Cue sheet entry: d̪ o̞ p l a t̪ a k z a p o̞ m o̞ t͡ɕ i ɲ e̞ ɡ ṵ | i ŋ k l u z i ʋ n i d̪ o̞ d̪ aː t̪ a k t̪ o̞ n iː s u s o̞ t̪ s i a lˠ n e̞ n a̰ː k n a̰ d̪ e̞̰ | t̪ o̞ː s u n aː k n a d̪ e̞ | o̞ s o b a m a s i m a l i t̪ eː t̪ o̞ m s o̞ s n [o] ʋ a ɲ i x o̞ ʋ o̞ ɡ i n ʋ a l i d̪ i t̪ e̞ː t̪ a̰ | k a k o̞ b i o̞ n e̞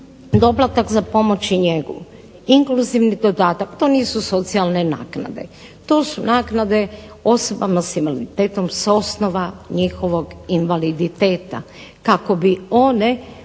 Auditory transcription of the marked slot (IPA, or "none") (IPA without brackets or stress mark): o